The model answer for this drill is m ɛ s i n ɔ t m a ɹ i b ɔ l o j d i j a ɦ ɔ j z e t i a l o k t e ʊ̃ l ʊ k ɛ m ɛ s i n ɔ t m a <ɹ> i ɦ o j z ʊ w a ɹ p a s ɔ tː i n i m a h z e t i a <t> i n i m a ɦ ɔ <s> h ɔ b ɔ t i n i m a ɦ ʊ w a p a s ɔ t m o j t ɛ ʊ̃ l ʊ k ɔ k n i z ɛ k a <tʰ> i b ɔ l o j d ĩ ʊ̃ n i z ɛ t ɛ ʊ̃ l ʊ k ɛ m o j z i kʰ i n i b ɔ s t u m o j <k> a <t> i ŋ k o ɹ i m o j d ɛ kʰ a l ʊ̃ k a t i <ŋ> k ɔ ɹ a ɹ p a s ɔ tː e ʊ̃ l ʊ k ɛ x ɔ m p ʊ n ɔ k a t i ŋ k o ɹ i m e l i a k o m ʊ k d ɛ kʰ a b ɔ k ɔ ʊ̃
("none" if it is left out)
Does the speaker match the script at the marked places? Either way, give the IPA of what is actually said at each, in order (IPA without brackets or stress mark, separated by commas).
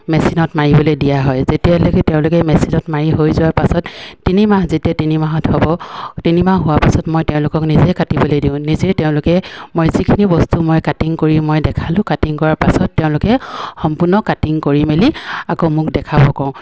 ɹ, t, t, t, k, t, ŋ